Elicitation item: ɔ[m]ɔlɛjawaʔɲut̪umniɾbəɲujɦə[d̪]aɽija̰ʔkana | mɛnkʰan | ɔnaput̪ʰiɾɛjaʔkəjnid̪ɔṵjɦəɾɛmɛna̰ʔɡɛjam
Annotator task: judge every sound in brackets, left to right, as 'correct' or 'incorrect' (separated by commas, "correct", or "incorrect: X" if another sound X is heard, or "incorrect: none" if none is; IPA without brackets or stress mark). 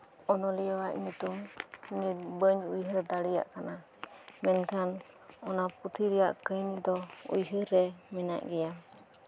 incorrect: n, correct